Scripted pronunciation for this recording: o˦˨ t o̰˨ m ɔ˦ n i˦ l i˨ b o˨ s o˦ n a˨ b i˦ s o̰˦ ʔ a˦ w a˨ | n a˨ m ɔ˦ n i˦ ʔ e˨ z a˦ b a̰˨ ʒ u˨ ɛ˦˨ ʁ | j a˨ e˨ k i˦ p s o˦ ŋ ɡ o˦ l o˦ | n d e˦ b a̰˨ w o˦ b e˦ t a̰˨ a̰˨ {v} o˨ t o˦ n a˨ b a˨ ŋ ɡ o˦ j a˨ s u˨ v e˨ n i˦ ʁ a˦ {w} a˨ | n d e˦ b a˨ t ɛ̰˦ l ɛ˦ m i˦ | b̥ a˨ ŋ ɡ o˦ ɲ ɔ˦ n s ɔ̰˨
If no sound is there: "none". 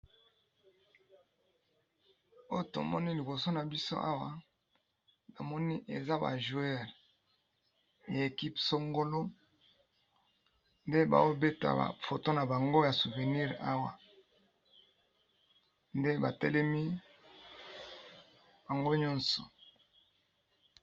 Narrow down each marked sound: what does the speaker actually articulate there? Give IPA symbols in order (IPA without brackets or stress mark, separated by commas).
f, w